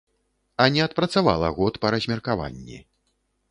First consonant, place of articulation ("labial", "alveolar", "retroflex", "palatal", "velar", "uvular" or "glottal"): alveolar